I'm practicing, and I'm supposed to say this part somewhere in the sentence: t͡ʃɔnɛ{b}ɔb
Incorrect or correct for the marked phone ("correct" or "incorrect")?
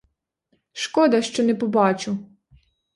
incorrect